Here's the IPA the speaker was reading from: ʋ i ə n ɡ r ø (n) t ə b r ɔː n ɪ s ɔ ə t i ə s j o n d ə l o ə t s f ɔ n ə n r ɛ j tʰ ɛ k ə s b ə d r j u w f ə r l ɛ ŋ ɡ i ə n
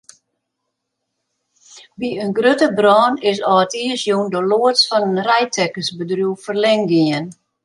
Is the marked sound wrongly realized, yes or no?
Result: yes